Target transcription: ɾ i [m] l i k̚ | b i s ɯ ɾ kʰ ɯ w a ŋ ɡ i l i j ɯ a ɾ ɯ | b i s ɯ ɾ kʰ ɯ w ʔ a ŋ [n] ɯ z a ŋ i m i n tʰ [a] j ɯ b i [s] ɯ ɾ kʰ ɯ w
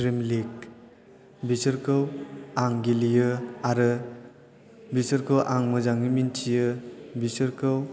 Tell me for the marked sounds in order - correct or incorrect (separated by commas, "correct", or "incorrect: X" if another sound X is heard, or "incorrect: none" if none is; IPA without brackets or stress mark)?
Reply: correct, incorrect: m, incorrect: i, correct